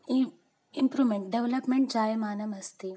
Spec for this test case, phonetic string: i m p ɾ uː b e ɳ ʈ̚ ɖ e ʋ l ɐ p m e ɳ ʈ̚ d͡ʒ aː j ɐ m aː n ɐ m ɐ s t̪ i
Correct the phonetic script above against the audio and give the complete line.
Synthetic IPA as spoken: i m p ɾ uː m e ɳ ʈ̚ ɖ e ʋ l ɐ p m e ɳ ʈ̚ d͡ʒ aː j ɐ m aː n ɐ m ɐ s t̪ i